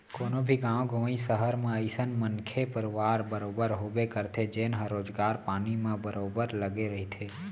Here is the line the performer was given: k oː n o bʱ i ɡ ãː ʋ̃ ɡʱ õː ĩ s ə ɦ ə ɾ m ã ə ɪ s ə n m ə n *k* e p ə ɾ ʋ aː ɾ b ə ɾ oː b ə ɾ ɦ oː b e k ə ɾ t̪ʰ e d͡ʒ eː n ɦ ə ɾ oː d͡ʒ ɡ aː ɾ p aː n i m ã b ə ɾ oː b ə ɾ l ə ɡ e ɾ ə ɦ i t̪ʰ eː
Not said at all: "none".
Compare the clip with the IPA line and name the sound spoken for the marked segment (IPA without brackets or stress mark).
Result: kʰ